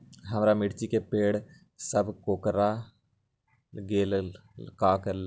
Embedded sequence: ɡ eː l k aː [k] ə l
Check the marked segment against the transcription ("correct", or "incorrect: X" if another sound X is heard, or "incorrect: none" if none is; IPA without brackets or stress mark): correct